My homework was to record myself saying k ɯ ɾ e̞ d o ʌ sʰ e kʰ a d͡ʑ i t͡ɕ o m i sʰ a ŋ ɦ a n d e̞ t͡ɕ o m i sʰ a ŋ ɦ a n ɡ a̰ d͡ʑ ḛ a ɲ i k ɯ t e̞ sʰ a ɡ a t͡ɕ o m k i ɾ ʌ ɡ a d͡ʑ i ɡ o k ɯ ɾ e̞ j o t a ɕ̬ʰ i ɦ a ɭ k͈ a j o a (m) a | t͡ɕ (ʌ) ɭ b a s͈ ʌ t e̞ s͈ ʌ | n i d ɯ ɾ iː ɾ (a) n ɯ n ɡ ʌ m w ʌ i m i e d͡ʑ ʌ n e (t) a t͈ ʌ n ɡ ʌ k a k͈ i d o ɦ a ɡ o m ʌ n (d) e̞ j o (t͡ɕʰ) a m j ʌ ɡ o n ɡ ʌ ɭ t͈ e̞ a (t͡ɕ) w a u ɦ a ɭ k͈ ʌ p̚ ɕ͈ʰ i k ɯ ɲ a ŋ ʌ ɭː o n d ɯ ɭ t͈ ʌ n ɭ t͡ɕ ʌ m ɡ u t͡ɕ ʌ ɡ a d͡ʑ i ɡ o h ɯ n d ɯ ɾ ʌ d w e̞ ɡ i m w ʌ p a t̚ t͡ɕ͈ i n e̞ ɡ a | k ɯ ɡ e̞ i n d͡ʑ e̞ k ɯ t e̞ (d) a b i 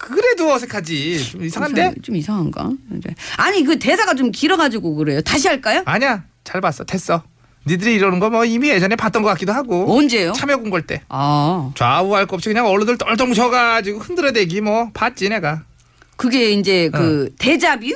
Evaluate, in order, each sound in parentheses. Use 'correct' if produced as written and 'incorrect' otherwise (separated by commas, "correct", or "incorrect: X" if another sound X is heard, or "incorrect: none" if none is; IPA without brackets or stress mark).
incorrect: ɲ, incorrect: a, incorrect: ʌ, incorrect: p, incorrect: d͡ʑ, correct, correct, incorrect: d͡ʑ